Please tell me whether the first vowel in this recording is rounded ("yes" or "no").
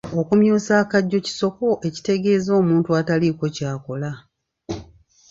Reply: yes